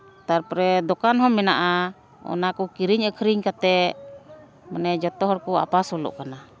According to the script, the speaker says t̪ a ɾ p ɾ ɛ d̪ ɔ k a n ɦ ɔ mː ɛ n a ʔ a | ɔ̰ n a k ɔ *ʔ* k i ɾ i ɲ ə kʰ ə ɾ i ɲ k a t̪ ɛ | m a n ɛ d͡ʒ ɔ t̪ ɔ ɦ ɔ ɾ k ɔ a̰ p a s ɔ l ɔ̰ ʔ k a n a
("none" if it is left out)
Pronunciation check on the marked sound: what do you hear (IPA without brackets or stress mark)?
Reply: none